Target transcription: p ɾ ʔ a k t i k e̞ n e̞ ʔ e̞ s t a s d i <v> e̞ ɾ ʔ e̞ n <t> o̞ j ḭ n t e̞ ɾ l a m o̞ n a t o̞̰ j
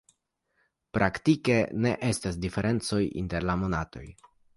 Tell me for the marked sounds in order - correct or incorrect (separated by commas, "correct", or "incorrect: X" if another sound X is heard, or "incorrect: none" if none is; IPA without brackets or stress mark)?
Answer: incorrect: f, incorrect: t͡s